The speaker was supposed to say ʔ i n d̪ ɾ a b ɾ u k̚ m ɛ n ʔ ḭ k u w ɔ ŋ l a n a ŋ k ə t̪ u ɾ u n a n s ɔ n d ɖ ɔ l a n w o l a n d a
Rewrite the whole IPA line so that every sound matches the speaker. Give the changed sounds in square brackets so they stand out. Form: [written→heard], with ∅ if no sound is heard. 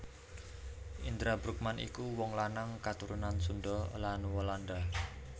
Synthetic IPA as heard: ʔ i n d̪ ɾ a b ɾ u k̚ m [ɛ→a] n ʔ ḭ k u w ɔ ŋ l a n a ŋ k [ə→a] t̪ u ɾ u n a n s [ɔ→u] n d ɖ ɔ l a n w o l a n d a